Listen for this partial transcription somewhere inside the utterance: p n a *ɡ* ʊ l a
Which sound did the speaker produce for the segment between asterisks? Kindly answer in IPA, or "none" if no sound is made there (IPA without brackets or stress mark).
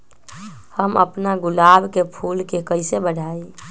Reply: ɡ